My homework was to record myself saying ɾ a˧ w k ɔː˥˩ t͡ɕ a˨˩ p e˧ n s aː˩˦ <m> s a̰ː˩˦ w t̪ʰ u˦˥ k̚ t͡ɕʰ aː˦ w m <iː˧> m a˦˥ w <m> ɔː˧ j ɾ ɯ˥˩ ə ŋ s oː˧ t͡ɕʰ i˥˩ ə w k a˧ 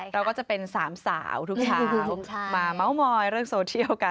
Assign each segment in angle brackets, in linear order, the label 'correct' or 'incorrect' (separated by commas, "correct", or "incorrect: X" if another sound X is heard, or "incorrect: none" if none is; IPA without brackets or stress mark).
correct, incorrect: aː˧, correct